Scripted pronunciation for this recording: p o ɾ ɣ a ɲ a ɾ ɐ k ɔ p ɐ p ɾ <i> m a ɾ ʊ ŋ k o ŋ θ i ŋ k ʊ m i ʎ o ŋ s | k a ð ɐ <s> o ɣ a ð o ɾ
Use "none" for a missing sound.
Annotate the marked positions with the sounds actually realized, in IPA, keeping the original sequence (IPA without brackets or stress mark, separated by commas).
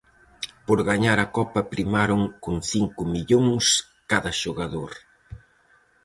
i, ʃ